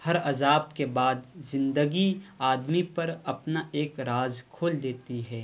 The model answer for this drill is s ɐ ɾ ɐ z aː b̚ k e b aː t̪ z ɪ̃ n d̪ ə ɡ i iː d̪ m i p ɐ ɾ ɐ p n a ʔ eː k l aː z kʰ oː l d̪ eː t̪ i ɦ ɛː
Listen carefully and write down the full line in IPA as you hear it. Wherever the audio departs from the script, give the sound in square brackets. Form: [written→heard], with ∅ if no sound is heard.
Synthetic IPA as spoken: [s→h] ɐ ɾ ɐ z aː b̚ k e b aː [t̪→d̪] z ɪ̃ n d̪ ə ɡ i [iː→aː] d̪ m i p ɐ ɾ ɐ p n a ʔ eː k [l→ɾ] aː z kʰ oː l d̪ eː t̪ i ɦ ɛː

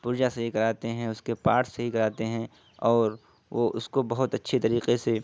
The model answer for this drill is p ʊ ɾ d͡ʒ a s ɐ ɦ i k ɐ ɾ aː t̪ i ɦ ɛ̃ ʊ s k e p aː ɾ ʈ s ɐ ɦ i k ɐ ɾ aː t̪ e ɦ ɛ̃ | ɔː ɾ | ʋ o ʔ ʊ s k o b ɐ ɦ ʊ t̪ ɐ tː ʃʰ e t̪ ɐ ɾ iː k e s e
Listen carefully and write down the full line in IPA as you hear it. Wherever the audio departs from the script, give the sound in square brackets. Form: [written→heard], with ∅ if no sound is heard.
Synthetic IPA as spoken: p ʊ ɾ d͡ʒ a s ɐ ɦ i k ɐ ɾ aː t̪ [i→e] ɦ ɛ̃ ʊ s k e p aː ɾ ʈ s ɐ ɦ i k ɐ ɾ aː t̪ e ɦ ɛ̃ | ɔː ɾ | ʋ o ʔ ʊ s k o b ɐ ɦ ʊ t̪ ɐ tː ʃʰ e t̪ ɐ ɾ iː [k→q] e s e

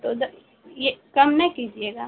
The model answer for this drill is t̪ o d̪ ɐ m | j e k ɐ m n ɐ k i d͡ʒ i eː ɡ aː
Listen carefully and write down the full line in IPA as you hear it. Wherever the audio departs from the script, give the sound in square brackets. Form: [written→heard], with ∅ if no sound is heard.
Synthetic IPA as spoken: t̪ o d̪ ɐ [m→∅] | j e k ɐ m n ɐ k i d͡ʒ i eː ɡ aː

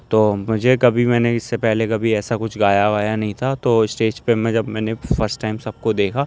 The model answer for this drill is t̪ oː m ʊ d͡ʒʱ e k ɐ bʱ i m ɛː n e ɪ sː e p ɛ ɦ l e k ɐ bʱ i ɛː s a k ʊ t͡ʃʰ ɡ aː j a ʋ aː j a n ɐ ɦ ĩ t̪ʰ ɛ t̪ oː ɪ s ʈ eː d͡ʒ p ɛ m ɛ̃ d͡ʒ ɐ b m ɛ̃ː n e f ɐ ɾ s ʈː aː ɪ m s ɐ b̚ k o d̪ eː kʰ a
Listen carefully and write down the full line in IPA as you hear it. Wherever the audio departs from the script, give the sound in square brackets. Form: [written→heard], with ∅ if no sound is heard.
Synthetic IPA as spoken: t̪ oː m ʊ d͡ʒʱ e k ɐ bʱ i m ɛː n e ɪ sː e p ɛ ɦ l e k ɐ bʱ i ɛː s a k ʊ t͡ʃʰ ɡ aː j a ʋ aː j a n ɐ ɦ ĩ t̪ʰ [ɛ→a] t̪ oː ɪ s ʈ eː d͡ʒ p [ɛ→e] m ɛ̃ d͡ʒ ɐ b m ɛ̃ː n e f ɐ ɾ s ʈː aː ɪ m s ɐ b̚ k o d̪ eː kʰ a

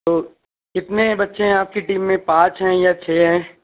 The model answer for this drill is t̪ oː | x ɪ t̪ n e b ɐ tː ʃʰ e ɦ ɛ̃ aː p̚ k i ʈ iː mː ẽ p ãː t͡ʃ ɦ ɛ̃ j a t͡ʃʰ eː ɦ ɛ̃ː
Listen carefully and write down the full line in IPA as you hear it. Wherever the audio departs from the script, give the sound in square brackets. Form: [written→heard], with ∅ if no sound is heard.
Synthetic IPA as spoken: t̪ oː | [x→k] ɪ t̪ n e b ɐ tː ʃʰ e ɦ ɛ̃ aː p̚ k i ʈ iː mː ẽ p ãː t͡ʃ ɦ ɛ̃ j a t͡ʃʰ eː ɦ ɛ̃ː

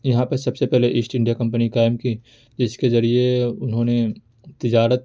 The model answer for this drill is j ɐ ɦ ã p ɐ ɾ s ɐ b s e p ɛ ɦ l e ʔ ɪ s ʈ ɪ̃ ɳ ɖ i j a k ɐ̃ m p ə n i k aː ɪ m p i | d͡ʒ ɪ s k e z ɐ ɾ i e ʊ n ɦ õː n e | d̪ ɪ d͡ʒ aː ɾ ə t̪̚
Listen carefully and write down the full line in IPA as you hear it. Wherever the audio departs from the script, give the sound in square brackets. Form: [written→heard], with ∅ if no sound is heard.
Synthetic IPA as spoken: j ɐ ɦ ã p ɐ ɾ s ɐ b s e p ɛ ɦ l e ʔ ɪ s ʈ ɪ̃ ɳ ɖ i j a k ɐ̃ m p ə n i k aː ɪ m [p→k] i | d͡ʒ ɪ s k e z ɐ ɾ i e ʊ n ɦ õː n e | [d̪→t̪] ɪ d͡ʒ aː ɾ ə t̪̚

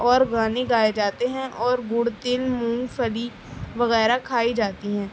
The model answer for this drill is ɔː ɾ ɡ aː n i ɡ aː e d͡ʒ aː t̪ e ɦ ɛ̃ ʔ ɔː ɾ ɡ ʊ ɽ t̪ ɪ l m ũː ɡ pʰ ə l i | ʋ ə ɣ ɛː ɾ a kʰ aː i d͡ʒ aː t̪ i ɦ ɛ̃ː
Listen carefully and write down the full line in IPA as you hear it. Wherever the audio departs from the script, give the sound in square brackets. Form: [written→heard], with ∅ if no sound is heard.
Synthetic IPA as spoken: ɔː ɾ ɡ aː n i ɡ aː e d͡ʒ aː t̪ e ɦ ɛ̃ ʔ ɔː ɾ ɡ ʊ ɽ t̪ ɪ l m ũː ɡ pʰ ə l i | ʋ ə ɣ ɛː ɾ a kʰ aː i d͡ʒ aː t̪ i ɦ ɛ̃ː

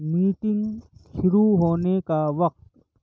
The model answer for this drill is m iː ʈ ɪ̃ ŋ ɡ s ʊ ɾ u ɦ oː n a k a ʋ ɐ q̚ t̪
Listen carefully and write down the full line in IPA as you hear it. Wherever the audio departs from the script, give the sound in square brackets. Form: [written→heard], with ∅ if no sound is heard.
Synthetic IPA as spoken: m iː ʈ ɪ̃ ŋ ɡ [s→ʃ] ʊ ɾ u ɦ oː n [a→e] k a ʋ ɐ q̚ t̪

